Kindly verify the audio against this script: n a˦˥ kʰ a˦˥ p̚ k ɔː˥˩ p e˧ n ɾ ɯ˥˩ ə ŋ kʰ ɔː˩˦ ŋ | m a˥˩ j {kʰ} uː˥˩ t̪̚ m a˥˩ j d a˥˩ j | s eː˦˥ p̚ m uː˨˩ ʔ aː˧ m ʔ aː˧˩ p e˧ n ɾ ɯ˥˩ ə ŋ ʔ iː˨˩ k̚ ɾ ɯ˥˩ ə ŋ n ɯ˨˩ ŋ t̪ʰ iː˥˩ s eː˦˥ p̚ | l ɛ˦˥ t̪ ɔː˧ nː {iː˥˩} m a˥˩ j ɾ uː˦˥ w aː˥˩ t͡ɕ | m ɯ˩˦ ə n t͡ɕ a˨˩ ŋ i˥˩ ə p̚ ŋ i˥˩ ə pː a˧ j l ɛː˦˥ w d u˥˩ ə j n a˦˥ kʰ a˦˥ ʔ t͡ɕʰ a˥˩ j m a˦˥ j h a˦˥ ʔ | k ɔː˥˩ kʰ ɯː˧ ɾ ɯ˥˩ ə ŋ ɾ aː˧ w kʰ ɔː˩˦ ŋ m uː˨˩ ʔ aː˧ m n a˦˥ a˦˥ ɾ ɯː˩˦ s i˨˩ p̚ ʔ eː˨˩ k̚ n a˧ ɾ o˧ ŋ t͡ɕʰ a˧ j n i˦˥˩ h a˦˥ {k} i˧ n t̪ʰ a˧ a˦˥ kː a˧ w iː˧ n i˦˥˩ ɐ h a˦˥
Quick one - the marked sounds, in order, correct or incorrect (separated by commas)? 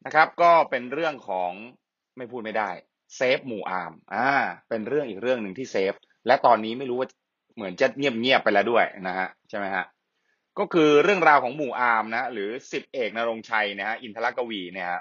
incorrect, incorrect, incorrect